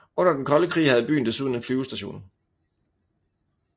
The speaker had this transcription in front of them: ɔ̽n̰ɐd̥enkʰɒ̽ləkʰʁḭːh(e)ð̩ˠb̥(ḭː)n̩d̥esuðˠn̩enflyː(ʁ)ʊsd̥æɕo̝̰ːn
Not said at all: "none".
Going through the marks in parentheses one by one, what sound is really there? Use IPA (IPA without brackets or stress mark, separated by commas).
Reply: æ, y̰ː, none